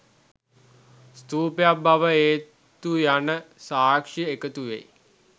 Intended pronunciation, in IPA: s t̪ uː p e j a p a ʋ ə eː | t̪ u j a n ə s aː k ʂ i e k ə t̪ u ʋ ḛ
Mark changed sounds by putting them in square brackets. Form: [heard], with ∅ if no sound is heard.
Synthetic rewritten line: s t̪ uː p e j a [b] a ʋ ə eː | t̪ u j a n ə s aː k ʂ i e k ə t̪ u ʋ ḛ